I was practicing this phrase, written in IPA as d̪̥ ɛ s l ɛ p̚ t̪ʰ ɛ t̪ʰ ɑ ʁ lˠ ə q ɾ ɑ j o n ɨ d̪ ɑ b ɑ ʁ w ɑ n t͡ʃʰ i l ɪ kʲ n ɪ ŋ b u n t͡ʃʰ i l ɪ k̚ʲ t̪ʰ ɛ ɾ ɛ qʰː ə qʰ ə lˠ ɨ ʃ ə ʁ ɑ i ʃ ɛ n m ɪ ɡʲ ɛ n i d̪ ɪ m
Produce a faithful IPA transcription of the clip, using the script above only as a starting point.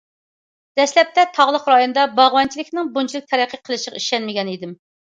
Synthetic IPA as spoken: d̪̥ ɛ s l ɛ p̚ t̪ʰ ɛ t̪ʰ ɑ ʁ lˠ ə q ɾ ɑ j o n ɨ d̪ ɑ b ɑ ʁ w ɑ n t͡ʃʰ i l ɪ kʲ n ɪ ŋ b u n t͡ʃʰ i l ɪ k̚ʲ t̪ʰ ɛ ɾ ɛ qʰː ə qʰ ə lˠ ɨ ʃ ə ʁ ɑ i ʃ ɛ n m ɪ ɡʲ ɛ n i d̪ ɪ m